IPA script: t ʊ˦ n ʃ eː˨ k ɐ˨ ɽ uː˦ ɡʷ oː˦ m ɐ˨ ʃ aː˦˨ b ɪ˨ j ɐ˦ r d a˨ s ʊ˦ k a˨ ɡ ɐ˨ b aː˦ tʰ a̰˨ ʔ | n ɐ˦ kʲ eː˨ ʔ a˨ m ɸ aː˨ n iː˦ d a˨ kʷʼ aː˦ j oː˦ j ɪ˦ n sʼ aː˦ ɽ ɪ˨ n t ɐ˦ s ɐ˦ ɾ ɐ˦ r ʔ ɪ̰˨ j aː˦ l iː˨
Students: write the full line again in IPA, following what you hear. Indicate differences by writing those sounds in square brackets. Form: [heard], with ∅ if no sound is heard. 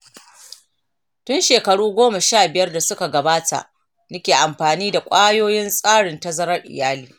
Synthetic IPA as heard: t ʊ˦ n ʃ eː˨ k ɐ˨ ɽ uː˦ ɡʷ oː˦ m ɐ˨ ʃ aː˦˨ b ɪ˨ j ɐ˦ r d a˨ s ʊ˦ k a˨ ɡ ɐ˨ b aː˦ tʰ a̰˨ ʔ | n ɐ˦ kʲ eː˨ ʔ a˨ m ɸ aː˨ n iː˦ d a˨ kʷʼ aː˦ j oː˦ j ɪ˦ n sʼ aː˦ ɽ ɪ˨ n t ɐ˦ [z] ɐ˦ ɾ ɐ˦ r ʔ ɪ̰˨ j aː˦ l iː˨